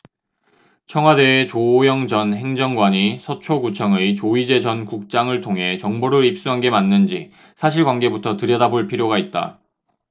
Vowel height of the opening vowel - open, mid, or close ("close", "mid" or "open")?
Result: mid